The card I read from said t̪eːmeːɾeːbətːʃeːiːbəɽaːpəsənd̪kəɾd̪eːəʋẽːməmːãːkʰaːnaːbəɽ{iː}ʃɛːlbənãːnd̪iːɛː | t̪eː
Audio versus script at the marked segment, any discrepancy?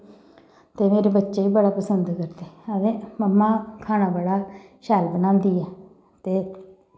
yes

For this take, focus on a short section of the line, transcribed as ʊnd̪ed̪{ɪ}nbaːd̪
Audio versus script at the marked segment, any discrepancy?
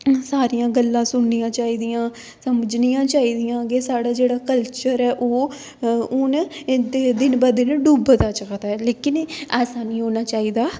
no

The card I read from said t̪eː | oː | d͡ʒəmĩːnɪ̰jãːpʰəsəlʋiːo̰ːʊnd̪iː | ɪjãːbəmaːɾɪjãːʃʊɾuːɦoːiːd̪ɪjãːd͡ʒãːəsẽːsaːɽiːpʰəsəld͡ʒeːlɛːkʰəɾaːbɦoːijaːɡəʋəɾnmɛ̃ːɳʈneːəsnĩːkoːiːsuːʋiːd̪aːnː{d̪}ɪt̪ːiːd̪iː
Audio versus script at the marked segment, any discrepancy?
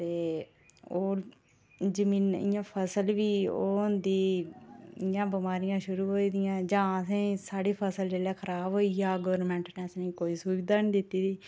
no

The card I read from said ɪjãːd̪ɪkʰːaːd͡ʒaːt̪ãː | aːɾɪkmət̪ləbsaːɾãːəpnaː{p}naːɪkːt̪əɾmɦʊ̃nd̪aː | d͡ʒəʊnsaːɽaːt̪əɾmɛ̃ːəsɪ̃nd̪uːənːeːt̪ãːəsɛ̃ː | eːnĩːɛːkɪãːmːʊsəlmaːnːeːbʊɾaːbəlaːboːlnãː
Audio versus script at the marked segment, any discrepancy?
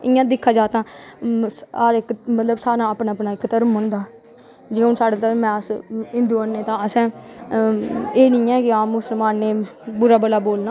no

